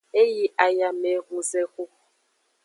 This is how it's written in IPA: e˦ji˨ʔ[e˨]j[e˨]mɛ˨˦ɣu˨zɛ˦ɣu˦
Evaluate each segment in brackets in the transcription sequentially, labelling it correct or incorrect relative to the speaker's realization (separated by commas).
incorrect, incorrect